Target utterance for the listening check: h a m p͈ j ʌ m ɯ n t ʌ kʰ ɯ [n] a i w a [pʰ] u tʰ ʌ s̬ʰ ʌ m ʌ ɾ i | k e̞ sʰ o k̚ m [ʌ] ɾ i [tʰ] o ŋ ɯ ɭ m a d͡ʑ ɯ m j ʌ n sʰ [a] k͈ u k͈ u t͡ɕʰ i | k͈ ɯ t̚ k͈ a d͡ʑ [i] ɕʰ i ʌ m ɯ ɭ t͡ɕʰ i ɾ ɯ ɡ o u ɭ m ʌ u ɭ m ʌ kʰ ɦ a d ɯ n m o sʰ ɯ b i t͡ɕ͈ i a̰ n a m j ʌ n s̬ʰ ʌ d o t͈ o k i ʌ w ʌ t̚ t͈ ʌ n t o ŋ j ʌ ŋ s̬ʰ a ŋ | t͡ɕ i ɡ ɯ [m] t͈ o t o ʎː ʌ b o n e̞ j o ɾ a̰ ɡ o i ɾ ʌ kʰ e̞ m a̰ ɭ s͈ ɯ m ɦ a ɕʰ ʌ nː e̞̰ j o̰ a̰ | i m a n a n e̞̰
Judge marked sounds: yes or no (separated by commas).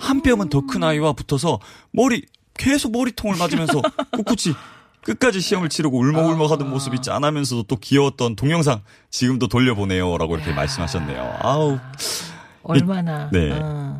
yes, no, yes, yes, no, yes, yes